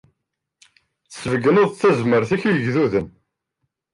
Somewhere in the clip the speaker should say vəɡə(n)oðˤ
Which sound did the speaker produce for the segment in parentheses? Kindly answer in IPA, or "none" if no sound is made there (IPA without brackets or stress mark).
n